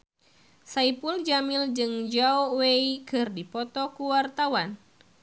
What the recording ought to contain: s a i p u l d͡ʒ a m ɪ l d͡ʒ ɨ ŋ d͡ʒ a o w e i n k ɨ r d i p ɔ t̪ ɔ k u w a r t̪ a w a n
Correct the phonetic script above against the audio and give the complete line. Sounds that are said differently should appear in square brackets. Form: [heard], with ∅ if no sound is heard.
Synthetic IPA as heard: s a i p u l d͡ʒ a m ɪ l d͡ʒ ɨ ŋ d͡ʒ a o w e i [∅] k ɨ r d i p ɔ t̪ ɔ k u w a r t̪ a w a n